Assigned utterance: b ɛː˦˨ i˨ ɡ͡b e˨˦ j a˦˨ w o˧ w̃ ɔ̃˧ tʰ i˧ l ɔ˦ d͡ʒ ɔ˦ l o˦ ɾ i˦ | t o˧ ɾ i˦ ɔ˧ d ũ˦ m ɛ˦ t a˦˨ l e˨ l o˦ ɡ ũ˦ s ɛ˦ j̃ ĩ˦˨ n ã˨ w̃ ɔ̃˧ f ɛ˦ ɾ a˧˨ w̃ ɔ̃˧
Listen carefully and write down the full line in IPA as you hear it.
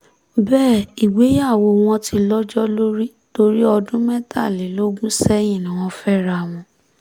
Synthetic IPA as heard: b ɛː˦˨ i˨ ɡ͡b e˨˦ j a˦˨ w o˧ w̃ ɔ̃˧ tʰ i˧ l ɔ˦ d͡ʒ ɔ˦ l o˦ ɾ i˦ | t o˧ ɾ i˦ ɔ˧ d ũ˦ m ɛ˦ t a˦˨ l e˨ l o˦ ɡ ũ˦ s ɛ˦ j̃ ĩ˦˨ n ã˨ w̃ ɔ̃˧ f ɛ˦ ɾ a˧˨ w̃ ɔ̃˧